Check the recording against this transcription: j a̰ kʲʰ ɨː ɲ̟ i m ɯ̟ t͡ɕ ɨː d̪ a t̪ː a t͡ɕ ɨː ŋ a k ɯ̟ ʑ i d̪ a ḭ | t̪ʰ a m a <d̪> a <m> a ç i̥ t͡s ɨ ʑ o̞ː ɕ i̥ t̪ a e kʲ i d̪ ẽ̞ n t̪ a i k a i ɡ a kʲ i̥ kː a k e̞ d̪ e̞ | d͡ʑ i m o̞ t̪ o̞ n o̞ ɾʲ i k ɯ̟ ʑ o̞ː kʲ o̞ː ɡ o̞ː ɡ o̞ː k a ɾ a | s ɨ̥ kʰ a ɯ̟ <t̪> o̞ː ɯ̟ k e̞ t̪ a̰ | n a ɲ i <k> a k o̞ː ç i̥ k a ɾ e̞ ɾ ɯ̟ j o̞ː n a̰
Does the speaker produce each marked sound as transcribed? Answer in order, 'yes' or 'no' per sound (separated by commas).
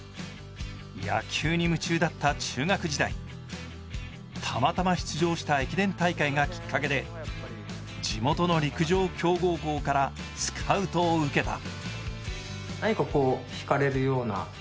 no, yes, yes, yes